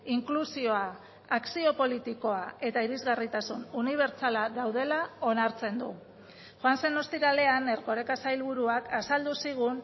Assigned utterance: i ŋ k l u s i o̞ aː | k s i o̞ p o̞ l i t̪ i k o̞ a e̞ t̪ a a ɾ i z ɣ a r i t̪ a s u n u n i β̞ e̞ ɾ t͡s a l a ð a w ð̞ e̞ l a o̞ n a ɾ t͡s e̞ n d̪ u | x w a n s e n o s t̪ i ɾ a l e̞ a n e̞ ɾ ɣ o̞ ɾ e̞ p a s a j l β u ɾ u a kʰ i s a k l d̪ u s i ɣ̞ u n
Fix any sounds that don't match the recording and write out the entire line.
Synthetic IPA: i ŋ k l u s i o̞ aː | k s i o̞ p o̞ l i t̪ i k o̞ a e̞ t̪ a i ɾ i z ɣ a r i t̪ a s u n u n i β̞ e̞ ɾ t͡s a l a ð a w ð̞ e̞ l a o̞ n a ɾ t͡s e̞ n d̪ u | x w a n s e n o s t̪ i ɾ a l e̞ a n e̞ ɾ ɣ o̞ ɾ e̞ k a s a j l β u ɾ u a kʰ a s a l d̪ u s i ɣ̞ u n

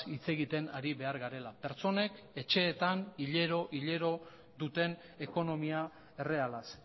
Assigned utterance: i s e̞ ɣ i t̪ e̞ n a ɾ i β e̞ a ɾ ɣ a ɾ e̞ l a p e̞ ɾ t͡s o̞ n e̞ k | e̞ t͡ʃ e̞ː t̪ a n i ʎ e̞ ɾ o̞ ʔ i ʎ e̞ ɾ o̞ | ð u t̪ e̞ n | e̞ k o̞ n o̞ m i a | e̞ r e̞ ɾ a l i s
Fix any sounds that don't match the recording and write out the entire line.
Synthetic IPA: i t͡s e̞ ɣ i t̪ e̞ n a ɾ i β e̞ a ɾ ɣ a ɾ e̞ l a p e̞ ɾ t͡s o̞ n e̞ k | e̞ t͡ʃ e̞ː t̪ a n i ʎ e̞ ɾ o̞ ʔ i ʎ e̞ ɾ o̞ | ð u t̪ e̞ n | e̞ k o̞ n o̞ m i a | e̞ r e̞ a l a s

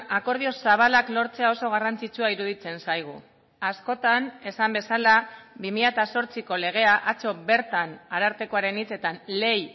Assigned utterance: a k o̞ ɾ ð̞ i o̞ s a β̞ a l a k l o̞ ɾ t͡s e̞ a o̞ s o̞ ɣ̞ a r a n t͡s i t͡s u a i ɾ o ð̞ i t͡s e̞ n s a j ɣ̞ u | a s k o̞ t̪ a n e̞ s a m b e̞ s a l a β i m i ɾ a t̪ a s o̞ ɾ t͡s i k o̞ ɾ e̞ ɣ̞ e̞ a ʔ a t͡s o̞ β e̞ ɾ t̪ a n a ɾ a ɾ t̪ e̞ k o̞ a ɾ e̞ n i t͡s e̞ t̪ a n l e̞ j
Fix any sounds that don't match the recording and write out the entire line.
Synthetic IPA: a k o̞ ɾ ð̞ i o̞ s a β̞ a l a k l o̞ ɾ t͡s e̞ a o̞ s o̞ ɣ̞ a r a n t͡s i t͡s u a i ɾ u ð̞ i t͡s e̞ n s a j ɣ̞ u | a s k o̞ t̪ a n e̞ s a m b e̞ s a l a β i m i ʎ a t̪ a s o̞ ɾ t͡s i k o̞ l e̞ ɣ̞ e̞ a ʔ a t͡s o̞ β e̞ ɾ t̪ a n a ɾ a ɾ t̪ e̞ k o̞ a ɾ e̞ n i t͡s e̞ t̪ a n l e̞ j

